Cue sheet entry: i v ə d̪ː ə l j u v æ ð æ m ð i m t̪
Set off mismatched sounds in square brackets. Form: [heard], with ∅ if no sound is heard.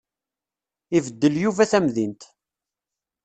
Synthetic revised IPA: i v ə d̪ː ə l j u v æ [θ] æ m ð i [n] t̪